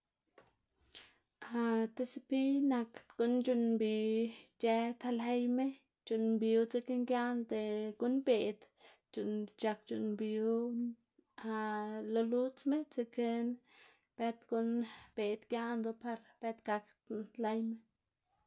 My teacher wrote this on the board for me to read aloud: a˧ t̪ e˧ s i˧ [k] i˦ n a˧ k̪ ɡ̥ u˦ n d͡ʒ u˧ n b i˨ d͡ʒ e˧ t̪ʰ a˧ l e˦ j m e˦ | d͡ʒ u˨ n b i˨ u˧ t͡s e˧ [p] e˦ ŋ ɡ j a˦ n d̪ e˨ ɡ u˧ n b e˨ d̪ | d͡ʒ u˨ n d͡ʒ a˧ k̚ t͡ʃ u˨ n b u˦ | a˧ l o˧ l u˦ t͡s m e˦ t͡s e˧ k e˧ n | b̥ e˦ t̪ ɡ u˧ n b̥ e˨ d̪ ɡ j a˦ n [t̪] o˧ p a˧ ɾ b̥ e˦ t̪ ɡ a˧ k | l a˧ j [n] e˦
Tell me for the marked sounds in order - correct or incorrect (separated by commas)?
incorrect, incorrect, incorrect, incorrect